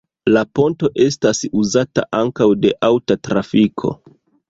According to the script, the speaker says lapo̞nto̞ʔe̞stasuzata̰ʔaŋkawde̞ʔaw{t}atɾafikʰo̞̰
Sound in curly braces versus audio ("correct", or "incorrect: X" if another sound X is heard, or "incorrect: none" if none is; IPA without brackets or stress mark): correct